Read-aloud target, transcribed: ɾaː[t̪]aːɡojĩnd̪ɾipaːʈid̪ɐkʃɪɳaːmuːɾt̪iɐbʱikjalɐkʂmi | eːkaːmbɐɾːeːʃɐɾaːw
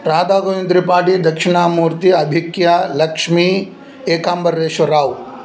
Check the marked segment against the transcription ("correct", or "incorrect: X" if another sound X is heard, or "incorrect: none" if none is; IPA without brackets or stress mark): incorrect: d̪